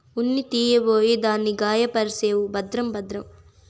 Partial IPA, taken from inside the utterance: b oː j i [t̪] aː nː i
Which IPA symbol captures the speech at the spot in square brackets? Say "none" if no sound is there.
d̪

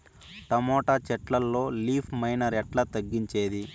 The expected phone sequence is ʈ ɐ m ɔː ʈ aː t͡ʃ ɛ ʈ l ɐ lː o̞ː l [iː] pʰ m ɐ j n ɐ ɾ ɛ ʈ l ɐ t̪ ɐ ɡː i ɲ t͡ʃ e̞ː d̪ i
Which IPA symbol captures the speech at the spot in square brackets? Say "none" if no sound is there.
iː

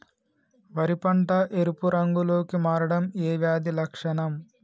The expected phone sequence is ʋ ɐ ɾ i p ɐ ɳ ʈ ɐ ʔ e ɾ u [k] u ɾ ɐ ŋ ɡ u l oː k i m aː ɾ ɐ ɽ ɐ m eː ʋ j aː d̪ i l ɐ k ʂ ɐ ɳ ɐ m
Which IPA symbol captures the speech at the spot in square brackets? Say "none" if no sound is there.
p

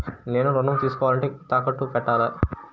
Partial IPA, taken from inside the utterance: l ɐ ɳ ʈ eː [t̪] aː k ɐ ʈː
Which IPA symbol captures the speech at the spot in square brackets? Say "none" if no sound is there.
t̪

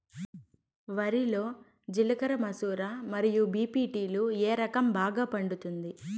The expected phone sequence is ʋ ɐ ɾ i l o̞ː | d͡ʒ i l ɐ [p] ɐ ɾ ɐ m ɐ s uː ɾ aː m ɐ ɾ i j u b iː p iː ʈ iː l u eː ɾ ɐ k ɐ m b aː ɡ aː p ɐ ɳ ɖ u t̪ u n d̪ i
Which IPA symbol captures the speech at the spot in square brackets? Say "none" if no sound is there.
k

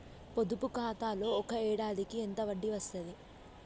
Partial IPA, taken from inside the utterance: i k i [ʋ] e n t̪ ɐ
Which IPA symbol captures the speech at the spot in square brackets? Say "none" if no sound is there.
none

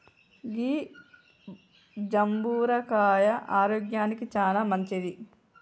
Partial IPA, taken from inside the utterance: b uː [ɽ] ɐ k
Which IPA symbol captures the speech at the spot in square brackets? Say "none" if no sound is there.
ɾ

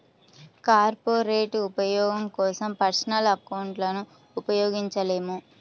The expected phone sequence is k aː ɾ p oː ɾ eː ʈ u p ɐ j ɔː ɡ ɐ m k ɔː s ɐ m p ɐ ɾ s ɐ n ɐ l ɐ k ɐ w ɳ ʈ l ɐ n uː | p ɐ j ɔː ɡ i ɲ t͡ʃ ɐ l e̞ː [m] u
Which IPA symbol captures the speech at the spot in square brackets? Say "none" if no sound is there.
m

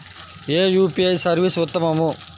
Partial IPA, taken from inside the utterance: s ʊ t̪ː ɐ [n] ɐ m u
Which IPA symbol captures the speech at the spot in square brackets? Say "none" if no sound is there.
m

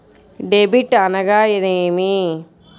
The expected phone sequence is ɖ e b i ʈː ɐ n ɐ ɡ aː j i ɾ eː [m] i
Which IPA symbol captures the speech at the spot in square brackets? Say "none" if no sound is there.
m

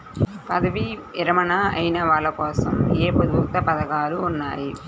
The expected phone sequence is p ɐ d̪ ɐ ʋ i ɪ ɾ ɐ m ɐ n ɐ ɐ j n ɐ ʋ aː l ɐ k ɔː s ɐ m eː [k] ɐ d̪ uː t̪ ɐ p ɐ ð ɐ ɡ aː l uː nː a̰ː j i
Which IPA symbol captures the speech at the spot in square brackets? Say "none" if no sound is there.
p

